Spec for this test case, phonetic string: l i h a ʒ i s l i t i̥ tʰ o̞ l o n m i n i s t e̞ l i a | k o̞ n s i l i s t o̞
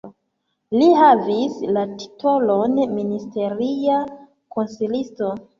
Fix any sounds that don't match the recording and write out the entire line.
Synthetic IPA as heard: l i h a v i s l a t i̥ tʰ o̞ l o n m i n i s t e̞ ɾ i a | k o̞ n s i l i s t o̞